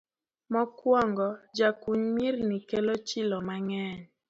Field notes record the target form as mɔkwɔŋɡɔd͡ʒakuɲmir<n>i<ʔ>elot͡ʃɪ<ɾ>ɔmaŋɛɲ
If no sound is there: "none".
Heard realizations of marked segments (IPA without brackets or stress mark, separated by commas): n, k, l